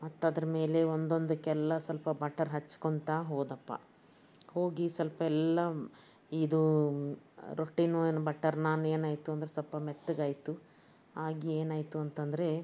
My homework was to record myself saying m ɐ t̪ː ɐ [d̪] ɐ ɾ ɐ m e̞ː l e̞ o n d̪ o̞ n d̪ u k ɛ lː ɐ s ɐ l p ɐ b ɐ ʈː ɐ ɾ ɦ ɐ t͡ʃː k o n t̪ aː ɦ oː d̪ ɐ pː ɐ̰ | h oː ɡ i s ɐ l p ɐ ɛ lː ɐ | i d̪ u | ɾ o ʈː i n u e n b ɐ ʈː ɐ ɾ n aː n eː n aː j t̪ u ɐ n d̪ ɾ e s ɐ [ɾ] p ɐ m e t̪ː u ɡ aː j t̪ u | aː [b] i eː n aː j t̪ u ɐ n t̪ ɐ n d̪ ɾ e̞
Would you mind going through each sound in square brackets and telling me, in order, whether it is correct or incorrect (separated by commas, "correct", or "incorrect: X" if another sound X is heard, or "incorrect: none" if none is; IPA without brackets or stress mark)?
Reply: correct, incorrect: l, incorrect: ɡ